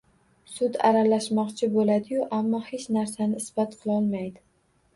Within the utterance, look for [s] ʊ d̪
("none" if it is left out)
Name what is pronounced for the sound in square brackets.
s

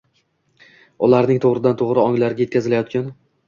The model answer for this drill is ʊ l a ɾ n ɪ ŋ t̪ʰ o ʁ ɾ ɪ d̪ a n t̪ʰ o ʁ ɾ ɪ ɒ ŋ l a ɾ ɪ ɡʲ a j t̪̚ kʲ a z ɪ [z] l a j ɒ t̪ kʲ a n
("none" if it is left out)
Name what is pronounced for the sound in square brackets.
none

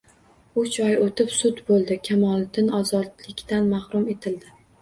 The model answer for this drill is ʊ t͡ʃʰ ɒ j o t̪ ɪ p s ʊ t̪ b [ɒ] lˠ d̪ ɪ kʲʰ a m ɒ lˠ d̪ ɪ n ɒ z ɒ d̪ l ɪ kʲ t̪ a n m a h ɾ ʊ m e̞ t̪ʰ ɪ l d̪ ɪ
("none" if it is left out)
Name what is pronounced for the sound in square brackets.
o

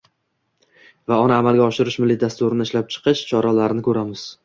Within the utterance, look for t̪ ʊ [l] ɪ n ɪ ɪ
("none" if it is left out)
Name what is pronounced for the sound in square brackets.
ɾ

